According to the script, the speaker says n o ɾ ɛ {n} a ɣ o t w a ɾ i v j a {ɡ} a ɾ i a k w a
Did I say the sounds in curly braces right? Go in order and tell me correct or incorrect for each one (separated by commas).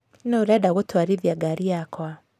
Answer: incorrect, correct